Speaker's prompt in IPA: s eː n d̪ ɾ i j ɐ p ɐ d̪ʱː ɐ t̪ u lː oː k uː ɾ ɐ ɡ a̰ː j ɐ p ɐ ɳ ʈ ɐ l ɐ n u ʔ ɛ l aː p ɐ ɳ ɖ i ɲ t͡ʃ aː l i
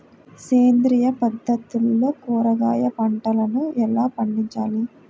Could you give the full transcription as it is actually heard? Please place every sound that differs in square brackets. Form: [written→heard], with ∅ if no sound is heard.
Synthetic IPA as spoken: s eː n d̪ ɾ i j ɐ p ɐ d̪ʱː ɐ t̪ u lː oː k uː ɾ ɐ ɡ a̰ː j ɐ p ɐ ɳ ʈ ɐ l ɐ n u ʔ ɛ l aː p ɐ ɳ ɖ i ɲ t͡ʃ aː l i

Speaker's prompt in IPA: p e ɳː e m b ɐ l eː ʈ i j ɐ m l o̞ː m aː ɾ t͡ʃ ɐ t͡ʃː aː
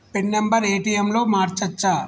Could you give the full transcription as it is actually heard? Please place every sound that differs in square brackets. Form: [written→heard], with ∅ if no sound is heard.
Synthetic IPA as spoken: p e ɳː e m b ɐ [l→ɾ] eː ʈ i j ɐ m l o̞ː m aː ɾ t͡ʃ ɐ t͡ʃː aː

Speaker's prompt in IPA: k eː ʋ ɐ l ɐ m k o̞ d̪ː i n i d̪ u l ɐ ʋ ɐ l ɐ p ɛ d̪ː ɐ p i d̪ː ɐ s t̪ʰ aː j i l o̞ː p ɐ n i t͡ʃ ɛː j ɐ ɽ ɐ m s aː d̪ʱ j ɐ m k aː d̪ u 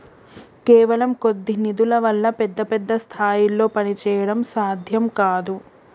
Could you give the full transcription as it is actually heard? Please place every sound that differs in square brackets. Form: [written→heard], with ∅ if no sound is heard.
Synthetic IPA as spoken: k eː ʋ ɐ l ɐ m k o̞ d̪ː i n i d̪ u l ɐ ʋ ɐ [l→lː] ɐ p ɛ d̪ː ɐ p [i→ɛ] d̪ː ɐ s t̪ʰ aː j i l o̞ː p ɐ n i t͡ʃ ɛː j ɐ ɽ ɐ m s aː d̪ʱ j ɐ m k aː d̪ u

